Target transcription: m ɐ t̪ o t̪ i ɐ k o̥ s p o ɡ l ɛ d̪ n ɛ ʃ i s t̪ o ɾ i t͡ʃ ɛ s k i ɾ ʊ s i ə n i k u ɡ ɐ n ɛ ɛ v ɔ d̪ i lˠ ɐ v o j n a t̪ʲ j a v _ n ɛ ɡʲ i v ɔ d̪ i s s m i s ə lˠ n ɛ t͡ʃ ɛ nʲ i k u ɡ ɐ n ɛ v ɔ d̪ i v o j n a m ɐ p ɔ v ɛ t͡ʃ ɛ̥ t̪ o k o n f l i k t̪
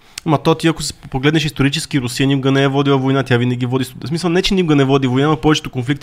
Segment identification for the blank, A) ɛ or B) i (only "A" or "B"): B